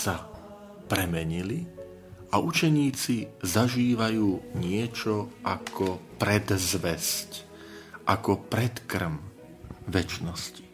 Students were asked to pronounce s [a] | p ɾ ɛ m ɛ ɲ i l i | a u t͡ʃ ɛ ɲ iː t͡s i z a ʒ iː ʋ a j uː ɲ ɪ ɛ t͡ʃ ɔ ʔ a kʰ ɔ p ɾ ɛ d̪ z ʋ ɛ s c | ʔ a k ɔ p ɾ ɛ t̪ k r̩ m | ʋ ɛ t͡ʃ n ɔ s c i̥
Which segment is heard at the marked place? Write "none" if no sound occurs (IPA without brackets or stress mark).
a